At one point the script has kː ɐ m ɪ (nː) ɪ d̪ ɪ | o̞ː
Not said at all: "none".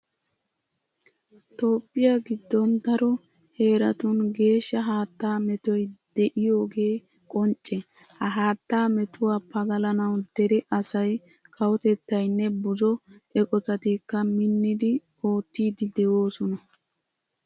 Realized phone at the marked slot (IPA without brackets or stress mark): nː